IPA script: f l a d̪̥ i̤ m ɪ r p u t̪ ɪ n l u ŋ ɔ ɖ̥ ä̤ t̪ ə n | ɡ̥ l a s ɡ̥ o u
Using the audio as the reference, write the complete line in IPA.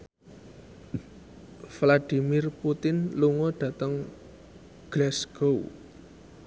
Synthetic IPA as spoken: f l a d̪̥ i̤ m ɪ r p u t̪ ɪ n l u ŋ ɔ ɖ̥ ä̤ t̪ ə ŋ | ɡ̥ l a s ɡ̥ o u